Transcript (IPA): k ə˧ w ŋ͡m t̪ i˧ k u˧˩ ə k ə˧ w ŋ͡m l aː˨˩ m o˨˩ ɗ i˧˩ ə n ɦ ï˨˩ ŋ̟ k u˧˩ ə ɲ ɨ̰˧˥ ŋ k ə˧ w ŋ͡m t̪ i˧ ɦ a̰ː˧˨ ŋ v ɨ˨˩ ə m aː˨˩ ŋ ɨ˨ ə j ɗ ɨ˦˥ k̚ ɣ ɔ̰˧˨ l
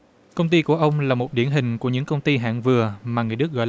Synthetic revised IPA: k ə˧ w ŋ͡m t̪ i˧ k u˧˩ ə ʔ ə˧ w ŋ͡m l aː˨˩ m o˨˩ ɗ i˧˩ ə n ɦ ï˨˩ ŋ̟ k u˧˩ ə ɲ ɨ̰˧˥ ŋ k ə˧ w ŋ͡m t̪ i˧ ɦ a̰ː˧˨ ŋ v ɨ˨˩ ə m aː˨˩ ŋ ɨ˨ ə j ɗ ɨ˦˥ k̚ ɣ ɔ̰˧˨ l